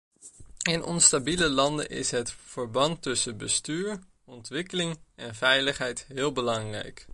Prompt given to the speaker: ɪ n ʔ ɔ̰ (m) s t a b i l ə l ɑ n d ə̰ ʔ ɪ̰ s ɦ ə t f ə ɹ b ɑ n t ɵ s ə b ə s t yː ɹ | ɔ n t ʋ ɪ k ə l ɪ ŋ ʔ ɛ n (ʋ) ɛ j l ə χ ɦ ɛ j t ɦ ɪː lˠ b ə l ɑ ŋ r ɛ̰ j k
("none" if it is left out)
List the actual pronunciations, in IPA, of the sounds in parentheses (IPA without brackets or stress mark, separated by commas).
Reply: n, v